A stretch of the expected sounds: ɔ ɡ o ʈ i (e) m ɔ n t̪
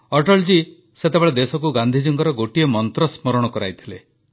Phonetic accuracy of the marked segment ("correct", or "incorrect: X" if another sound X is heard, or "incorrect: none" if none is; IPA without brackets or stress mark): correct